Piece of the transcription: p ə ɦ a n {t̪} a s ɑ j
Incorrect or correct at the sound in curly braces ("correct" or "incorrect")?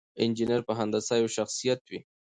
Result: incorrect